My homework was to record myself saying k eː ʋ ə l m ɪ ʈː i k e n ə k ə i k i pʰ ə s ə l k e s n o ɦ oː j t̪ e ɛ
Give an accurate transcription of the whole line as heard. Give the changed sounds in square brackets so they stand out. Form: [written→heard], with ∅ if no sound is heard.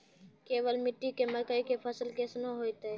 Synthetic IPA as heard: k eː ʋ ə l m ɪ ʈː i k e [n→m] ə k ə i k [i→e] pʰ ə s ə l k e s n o ɦ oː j t̪ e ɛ